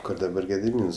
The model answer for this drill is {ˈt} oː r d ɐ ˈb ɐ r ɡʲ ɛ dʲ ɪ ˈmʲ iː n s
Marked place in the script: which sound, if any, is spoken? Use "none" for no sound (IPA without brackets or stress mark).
k